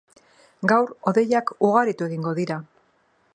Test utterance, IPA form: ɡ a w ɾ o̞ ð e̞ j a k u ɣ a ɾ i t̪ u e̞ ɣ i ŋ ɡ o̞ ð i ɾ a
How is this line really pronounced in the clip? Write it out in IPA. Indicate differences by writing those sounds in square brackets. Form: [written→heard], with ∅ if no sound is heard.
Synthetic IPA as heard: ɡ a w ɾ o̞ ð e̞ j a k u ɣ a ɾ i t̪ u e̞ ɣ i ŋ ɡ o̞ ð i ɾ a